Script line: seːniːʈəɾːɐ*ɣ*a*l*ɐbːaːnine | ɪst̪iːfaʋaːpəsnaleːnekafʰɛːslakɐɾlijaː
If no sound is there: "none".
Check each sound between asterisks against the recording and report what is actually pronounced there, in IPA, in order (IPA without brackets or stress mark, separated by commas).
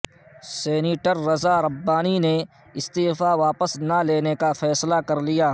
z, ɾ